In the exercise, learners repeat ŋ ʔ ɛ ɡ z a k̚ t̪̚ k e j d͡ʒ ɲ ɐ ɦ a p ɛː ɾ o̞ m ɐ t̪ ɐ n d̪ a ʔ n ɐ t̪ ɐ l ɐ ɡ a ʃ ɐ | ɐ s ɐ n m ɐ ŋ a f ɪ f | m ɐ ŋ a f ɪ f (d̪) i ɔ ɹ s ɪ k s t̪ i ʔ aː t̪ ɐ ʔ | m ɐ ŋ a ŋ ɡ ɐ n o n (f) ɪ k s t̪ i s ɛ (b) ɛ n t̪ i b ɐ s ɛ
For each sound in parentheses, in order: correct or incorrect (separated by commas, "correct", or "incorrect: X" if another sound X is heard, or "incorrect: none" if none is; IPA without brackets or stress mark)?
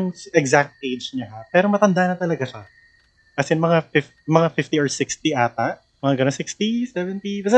incorrect: t̪, incorrect: s, incorrect: v